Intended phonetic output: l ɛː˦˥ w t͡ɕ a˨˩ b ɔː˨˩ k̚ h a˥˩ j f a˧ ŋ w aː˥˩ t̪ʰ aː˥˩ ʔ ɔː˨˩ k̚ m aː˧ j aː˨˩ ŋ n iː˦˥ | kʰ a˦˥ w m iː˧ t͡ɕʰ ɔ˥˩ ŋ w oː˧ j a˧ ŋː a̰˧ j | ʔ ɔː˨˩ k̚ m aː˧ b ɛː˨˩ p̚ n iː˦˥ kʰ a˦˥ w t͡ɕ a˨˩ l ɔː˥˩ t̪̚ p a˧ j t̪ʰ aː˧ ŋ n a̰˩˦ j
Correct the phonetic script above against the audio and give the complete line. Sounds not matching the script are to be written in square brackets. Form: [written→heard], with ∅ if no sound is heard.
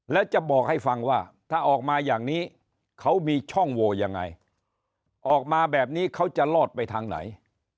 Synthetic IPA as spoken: l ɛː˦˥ w t͡ɕ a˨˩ b ɔː˨˩ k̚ h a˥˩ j f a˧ ŋ w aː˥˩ t̪ʰ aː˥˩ ʔ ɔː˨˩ k̚ m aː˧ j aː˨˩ ŋ n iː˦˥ | kʰ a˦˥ w m iː˧ t͡ɕʰ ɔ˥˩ ŋ w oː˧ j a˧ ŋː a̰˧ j | ʔ ɔː˨˩ k̚ m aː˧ b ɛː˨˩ p̚ n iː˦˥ kʰ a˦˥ w t͡ɕ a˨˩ l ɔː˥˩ t̪̚ p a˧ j t̪ʰ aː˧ ŋ n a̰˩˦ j